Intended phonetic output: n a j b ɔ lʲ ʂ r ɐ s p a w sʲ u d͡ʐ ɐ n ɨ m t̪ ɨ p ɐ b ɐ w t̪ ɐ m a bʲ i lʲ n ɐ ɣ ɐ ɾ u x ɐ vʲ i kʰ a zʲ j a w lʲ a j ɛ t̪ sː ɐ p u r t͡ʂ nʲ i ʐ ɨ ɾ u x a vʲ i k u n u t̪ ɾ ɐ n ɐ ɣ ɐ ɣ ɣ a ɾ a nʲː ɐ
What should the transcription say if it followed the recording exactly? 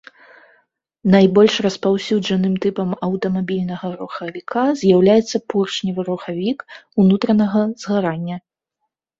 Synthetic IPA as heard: n a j b ɔ lʲ ʂ r ɐ s p a w sʲ u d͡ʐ ɐ n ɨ m t̪ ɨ p ɐ m ɐ w t̪ ɐ m a bʲ i lʲ n ɐ ɣ ɐ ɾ u x ɐ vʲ i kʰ a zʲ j a w lʲ a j ɛ t̪ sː ɐ p u r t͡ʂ nʲ i v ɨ ɾ u x a vʲ i k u n u t̪ ɾ ɐ n ɐ ɣ ɐ z ɣ a ɾ a nʲː ɐ